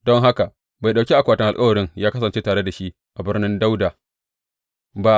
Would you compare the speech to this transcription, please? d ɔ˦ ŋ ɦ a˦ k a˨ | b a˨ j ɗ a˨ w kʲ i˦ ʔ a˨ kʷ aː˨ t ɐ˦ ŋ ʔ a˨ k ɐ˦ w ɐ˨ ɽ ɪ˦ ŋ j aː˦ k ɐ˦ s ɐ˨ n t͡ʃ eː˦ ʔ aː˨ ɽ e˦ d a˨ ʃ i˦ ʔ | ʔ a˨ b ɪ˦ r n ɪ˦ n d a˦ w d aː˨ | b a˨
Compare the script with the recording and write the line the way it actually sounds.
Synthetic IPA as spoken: d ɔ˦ ŋ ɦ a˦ k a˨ | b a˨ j ɗ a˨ w kʲ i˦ ʔ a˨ kʷ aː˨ t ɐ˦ ŋ ʔ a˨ kʼ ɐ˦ w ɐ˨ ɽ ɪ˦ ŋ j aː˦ k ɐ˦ s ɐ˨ n t͡ʃ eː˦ t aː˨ ɽ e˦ d a˨ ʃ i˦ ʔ | ʔ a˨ b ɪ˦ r n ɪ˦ n d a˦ w d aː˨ | b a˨